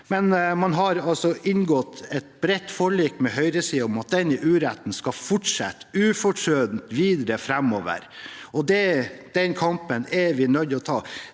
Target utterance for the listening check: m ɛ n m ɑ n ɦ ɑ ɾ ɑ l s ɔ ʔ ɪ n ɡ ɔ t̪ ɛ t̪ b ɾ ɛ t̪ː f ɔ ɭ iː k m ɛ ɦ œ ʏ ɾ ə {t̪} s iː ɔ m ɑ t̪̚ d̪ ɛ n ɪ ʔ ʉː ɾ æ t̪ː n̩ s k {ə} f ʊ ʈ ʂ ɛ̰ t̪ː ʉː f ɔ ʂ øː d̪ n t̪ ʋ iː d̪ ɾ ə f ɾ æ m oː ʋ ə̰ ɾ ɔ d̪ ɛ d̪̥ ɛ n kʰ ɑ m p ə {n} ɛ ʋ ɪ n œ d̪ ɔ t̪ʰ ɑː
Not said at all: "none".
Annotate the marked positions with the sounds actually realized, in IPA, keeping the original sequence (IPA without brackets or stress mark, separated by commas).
none, ɑ, n